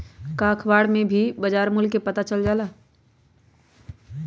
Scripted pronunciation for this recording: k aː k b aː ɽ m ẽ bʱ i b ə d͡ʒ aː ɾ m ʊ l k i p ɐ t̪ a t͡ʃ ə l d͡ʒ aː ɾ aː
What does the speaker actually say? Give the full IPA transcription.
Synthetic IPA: k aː kʰ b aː ɽ m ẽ bʱ i b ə d͡ʒ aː ɾ m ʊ l k e p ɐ t̪ a t͡ʃ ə l d͡ʒ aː l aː